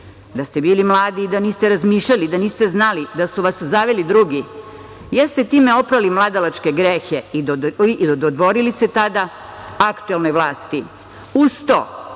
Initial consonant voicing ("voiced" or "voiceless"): voiced